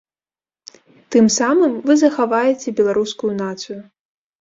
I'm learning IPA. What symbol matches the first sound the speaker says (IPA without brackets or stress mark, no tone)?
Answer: t̪